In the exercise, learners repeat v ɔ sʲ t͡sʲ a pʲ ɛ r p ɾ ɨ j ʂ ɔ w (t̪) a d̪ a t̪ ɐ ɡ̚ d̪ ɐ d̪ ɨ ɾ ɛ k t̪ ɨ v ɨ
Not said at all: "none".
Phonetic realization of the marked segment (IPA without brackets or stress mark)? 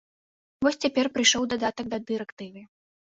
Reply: d̪